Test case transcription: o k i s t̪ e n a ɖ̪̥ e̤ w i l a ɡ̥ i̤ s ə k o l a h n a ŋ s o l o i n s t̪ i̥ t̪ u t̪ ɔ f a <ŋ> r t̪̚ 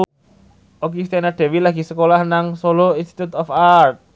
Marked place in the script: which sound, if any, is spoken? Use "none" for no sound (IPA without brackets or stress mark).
none